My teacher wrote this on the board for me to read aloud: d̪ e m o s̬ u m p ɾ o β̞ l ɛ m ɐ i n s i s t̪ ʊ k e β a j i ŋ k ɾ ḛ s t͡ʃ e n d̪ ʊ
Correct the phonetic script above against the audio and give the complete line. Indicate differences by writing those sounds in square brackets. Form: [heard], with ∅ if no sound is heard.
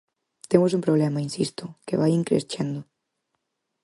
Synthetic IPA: [t̪] e m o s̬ u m p ɾ o β̞ l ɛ m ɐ i n s i s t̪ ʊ k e β a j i ŋ k ɾ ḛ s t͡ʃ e n d̪ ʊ

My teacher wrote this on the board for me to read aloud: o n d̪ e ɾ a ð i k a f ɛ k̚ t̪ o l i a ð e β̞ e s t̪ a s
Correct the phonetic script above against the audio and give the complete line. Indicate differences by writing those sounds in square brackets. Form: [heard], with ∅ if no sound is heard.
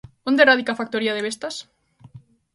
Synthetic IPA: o n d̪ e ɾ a ð i k a f [a] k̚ t̪ o [ɾ] i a ð e β̞ e s t̪ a s

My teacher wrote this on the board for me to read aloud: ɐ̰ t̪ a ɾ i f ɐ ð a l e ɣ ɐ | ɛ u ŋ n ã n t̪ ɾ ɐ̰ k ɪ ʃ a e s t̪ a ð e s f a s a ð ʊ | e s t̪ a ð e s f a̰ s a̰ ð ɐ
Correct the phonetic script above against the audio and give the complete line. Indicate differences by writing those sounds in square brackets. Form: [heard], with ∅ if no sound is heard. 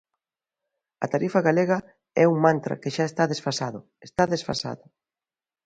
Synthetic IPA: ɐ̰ t̪ a ɾ i f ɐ [ɣ] a l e ɣ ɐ | ɛ u ŋ [m] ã n t̪ ɾ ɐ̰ k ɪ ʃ a e s t̪ a ð e s f a s a ð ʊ | e s t̪ a ð e s f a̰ s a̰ ð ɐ

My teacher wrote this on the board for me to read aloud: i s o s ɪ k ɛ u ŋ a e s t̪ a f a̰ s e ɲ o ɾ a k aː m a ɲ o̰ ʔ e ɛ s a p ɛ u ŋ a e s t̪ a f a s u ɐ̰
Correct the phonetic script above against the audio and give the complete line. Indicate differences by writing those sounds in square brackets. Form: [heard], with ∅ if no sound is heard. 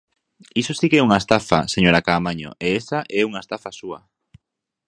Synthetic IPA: i s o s [i] k ɛ u ŋ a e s t̪ a f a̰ s e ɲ o ɾ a k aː m a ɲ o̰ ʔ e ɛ s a [ʔ] ɛ u ŋ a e s t̪ a f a s u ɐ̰

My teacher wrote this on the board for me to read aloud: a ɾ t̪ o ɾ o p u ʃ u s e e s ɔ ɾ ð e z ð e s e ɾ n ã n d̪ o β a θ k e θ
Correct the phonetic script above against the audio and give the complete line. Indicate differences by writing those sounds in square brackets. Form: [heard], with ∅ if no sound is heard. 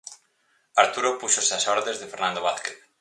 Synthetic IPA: a ɾ t̪ [u] ɾ o p u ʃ [o] s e [a] s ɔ ɾ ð e z ð e [f] e ɾ n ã n d̪ o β a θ k e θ

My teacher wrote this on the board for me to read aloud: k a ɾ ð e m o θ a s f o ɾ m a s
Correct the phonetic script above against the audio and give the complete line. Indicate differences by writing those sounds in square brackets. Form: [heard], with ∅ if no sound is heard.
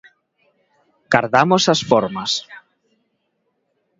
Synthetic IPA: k a ɾ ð [a] m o [s] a s f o ɾ m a s

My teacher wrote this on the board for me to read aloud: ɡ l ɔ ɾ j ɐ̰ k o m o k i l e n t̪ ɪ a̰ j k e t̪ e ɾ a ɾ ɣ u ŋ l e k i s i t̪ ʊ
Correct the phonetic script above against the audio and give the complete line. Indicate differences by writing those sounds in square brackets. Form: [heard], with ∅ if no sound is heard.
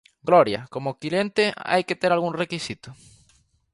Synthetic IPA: ɡ l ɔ ɾ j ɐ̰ k o m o k i l e n t̪ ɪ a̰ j k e t̪ e ɾ a [l] ɣ u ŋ [r] e k i s i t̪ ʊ

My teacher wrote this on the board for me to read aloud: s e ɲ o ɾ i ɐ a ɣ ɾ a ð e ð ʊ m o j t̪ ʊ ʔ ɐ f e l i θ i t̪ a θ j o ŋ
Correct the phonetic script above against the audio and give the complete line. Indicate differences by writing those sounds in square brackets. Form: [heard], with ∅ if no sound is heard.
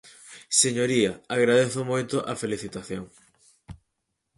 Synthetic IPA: s e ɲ o ɾ i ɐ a ɣ ɾ a ð e [θ] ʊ m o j t̪ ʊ ʔ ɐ f e l i θ i t̪ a θ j o ŋ

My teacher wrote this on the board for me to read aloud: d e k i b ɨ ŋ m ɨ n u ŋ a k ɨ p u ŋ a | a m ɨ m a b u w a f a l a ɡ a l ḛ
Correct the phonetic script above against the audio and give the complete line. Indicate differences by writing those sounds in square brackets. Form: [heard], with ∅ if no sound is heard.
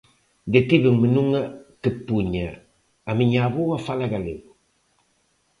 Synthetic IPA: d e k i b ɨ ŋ m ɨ n u ŋ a k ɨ p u [ɲ] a | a m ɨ [ɲ] a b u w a f a l a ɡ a l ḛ

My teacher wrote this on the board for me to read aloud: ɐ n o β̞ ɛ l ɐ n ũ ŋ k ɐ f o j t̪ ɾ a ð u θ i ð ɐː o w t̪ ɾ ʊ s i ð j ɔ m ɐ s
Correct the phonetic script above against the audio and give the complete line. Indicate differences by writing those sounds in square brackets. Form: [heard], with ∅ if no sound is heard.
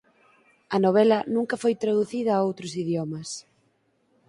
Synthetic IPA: ɐ n o β̞ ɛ l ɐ n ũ ŋ k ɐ f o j t̪ ɾ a ð u θ i ð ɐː o w t̪ ɾ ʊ s i ð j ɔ m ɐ s

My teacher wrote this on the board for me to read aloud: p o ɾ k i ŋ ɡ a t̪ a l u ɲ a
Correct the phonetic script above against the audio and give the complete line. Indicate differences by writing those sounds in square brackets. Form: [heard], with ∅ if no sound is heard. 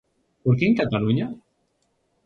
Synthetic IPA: p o ɾ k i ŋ [k] a t̪ a l u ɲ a

